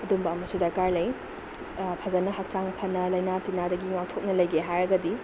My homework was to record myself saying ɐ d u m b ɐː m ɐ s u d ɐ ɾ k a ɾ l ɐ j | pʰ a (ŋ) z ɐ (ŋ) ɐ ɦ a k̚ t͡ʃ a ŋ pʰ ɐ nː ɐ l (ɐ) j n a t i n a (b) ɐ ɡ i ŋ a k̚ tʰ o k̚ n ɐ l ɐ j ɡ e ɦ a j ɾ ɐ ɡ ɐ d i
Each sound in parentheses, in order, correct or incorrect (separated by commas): incorrect, incorrect, correct, incorrect